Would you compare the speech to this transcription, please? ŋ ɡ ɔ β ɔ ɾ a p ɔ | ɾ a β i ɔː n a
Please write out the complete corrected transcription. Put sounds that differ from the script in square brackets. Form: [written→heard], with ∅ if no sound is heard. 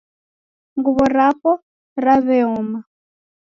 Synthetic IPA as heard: ŋ ɡ [ɔ→u] β ɔ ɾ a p ɔ | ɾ a β [i→ɛ] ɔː [n→m] a